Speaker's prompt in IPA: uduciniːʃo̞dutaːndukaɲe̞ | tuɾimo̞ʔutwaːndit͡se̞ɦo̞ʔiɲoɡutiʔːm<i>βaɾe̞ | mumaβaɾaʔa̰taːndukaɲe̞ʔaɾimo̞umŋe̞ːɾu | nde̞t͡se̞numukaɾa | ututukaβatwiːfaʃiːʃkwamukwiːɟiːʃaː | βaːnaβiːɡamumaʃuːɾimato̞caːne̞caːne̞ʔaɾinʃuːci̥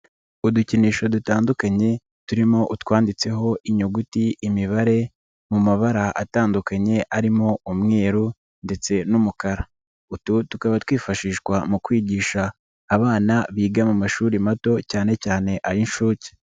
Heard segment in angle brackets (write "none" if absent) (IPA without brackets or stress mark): i